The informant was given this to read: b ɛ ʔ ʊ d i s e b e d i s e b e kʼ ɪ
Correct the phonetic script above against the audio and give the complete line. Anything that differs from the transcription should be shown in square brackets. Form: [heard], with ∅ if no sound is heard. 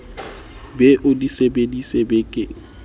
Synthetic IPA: b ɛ ʔ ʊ d i s e b e d i s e b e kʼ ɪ